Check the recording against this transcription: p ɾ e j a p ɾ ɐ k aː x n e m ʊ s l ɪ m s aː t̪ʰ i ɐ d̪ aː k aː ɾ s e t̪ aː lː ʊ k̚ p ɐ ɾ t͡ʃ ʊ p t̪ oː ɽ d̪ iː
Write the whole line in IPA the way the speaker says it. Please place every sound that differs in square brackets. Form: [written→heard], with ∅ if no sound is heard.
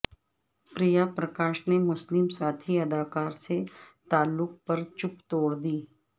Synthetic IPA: p ɾ [e→i] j a p ɾ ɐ k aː [x→ʃ] n e m ʊ s l ɪ m s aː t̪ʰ i ɐ d̪ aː k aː ɾ s e t̪ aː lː ʊ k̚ p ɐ ɾ t͡ʃ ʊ p t̪ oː ɽ d̪ iː